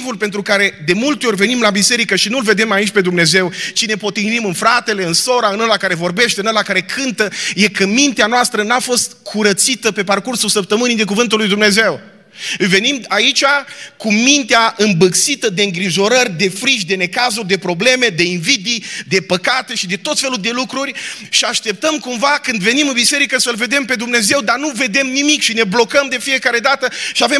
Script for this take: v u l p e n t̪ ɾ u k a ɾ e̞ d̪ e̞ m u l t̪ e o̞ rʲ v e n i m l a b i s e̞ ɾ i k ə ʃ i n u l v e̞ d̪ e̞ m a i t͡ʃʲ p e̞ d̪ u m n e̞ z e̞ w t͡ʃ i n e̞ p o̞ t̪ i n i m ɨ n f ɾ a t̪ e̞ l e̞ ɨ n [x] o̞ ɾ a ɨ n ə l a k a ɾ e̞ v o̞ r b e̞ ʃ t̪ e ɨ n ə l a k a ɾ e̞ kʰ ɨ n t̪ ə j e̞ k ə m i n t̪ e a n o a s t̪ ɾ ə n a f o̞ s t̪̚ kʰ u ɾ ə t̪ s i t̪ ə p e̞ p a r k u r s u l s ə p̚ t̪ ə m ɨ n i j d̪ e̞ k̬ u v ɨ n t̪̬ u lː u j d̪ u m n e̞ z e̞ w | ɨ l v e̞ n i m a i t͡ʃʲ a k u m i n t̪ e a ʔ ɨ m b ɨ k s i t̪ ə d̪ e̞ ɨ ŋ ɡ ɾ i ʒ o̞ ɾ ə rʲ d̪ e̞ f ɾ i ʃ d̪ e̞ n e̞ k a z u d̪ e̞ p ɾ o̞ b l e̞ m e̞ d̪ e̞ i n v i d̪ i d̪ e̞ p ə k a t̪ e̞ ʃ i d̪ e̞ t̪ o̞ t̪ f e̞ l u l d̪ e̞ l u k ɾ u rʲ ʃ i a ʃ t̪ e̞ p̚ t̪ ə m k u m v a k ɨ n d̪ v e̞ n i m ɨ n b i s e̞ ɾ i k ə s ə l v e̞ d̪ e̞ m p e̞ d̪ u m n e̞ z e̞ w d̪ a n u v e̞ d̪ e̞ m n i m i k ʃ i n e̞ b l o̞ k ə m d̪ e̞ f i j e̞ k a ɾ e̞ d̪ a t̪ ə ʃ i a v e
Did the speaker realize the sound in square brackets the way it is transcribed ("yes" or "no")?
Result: no